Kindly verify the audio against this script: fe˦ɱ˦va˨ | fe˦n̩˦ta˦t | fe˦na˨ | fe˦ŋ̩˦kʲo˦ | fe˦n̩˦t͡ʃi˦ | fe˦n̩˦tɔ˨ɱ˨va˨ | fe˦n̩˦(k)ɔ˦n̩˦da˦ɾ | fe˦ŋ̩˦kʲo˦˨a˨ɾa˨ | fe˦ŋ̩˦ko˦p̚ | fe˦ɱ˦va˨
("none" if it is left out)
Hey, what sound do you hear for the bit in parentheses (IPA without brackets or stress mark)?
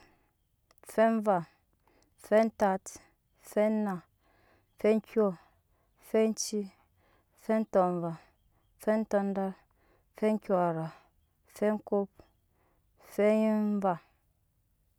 t